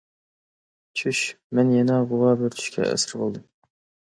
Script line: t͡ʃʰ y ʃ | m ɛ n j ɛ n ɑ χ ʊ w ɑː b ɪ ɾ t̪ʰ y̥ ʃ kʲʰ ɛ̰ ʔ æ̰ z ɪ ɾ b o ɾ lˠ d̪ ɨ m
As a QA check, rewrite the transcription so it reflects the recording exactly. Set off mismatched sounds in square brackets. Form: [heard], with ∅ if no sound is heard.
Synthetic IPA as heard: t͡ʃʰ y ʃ | m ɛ n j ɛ n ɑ [ʁ] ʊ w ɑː b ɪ ɾ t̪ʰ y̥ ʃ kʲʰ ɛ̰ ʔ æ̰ [s] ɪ ɾ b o [∅] lˠ d̪ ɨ m